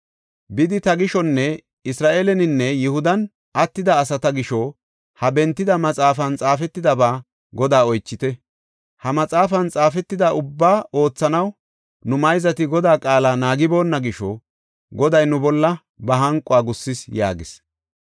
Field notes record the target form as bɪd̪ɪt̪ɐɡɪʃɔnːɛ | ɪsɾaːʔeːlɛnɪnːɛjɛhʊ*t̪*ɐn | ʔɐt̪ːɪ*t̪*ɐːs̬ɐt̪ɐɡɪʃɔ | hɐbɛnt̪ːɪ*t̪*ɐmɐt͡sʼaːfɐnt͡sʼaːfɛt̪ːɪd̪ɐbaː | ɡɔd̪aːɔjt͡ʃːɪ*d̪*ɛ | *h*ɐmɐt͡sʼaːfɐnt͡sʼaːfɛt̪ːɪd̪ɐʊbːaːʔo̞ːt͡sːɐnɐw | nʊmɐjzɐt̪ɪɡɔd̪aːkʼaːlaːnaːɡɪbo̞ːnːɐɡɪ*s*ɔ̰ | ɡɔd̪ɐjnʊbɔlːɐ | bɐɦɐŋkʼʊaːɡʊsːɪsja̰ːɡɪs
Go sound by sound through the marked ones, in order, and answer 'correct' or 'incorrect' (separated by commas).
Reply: incorrect, incorrect, incorrect, incorrect, correct, incorrect